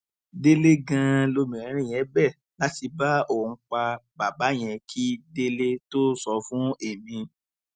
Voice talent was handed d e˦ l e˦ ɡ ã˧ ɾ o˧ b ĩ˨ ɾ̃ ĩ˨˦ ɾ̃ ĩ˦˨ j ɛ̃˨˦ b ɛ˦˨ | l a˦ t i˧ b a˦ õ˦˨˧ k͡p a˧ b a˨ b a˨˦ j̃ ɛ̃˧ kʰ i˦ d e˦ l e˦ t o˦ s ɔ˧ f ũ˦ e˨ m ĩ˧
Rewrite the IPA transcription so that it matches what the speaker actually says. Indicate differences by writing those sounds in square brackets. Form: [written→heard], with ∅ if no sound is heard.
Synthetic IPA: d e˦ l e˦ ɡ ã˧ [ɾ→l] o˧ [b→m] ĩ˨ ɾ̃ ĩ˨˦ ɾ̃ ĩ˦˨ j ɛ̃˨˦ b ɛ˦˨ | l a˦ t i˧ b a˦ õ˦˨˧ k͡p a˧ b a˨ b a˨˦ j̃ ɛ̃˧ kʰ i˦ d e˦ l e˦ t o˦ s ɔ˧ f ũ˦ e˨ m ĩ˧